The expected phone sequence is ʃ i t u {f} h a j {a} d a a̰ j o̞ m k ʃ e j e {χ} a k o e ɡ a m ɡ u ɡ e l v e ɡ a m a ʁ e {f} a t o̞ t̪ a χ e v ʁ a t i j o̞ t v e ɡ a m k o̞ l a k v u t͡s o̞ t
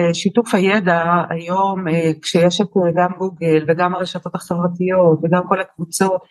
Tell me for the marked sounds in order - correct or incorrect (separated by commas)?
correct, incorrect, incorrect, incorrect